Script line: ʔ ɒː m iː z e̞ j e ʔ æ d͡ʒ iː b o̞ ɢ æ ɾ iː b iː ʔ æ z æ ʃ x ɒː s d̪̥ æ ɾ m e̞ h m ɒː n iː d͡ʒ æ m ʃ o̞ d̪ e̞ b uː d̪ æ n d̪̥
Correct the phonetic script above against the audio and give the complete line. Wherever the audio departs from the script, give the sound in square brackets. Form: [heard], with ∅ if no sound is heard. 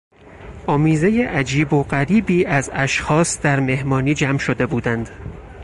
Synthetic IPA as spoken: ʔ ɒː m iː z e̞ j e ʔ æ d͡ʒ iː b o̞ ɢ æ ɾ iː b iː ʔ æ z æ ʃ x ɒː s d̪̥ æ ɾ m e̞ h m ɒː n iː d͡ʒ æ m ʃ o̞ d̪ e̞ b uː d̪ æ n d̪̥